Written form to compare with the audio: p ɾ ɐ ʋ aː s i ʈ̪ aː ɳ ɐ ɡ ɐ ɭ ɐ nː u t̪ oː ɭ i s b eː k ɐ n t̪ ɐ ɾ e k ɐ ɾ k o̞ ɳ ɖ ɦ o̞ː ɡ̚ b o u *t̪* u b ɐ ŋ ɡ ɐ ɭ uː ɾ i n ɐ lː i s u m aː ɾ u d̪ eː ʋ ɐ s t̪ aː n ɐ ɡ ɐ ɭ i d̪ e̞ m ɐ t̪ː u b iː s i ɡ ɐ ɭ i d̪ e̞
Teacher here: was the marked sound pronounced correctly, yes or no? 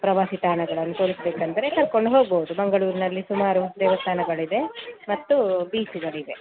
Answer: no